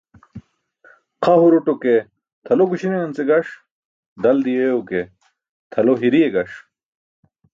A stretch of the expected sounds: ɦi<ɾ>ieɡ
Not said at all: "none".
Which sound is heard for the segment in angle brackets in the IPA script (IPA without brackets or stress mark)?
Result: ɾ